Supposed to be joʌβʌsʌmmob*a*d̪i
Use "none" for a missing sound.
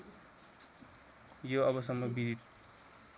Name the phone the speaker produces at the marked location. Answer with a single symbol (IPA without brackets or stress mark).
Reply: i